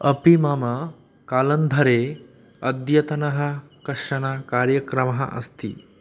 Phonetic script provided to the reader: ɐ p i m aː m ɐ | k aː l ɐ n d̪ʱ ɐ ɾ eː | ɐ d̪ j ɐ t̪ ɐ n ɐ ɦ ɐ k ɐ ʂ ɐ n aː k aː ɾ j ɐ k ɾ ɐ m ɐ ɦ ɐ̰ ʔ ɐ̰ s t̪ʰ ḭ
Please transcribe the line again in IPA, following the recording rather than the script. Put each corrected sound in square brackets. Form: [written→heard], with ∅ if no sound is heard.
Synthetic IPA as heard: ɐ p i m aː m ɐ | k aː l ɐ n d̪ʱ ɐ ɾ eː | ɐ d̪ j ɐ t̪ ɐ n ɐ ɦ ɐ k ɐ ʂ ɐ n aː k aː ɾ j ɐ k ɾ ɐ m ɐ ɦ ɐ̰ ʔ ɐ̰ s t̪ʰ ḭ